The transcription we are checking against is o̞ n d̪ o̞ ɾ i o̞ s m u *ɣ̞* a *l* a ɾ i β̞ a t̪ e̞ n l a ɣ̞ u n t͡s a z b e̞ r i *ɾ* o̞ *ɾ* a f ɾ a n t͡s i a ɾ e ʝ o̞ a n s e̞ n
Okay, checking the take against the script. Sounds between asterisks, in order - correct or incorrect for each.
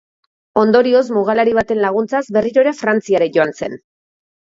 correct, correct, correct, correct

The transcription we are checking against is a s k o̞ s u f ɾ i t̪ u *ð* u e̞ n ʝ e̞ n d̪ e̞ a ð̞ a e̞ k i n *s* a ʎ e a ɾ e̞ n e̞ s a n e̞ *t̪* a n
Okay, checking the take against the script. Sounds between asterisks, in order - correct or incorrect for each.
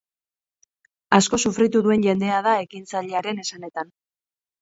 correct, incorrect, correct

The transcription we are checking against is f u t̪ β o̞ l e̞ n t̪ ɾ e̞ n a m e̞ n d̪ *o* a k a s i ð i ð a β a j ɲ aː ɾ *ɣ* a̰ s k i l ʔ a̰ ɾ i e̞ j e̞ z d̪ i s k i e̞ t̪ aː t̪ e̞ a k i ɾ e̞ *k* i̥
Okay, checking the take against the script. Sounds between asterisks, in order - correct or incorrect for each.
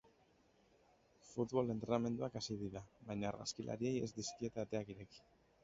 incorrect, correct, correct

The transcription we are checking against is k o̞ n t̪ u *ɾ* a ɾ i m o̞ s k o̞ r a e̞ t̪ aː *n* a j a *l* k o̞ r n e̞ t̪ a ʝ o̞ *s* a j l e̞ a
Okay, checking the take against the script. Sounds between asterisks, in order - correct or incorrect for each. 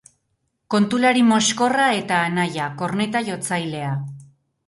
incorrect, correct, incorrect, incorrect

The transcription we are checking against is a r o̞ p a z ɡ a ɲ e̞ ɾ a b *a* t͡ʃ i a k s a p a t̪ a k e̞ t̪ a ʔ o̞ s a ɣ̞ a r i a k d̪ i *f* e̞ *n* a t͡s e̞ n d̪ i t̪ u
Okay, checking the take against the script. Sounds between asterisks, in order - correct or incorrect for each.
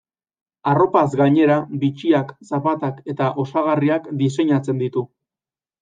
incorrect, incorrect, incorrect

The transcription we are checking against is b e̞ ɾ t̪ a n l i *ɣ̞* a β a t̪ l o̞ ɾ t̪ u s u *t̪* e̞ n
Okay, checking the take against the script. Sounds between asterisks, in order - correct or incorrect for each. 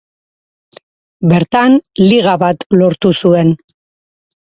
correct, incorrect

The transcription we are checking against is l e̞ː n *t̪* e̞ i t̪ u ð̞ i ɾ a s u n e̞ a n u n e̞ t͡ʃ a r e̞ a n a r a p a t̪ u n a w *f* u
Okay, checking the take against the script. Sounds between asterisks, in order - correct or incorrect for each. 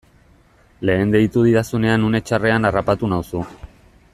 incorrect, incorrect

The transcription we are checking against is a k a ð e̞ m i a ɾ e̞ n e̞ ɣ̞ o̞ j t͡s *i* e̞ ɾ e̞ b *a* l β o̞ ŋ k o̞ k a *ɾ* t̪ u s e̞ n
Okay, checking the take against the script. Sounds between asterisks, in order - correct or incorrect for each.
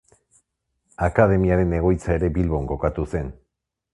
incorrect, incorrect, incorrect

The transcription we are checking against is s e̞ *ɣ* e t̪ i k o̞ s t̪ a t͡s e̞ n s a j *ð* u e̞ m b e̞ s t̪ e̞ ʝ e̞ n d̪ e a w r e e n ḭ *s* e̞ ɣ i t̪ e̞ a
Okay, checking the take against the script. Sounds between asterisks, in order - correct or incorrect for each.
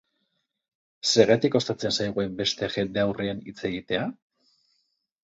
correct, incorrect, incorrect

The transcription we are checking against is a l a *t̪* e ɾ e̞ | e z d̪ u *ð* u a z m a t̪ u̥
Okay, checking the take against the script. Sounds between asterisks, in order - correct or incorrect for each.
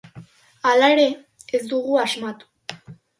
incorrect, incorrect

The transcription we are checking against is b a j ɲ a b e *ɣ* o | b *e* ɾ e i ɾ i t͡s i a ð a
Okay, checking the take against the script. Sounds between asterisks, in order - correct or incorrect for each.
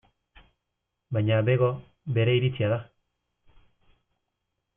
correct, correct

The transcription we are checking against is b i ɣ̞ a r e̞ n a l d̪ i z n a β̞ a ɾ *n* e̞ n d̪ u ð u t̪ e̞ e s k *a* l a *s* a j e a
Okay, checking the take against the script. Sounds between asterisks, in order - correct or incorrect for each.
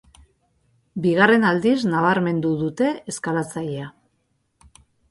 incorrect, correct, incorrect

